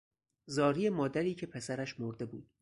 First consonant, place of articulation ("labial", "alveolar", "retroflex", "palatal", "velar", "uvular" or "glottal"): alveolar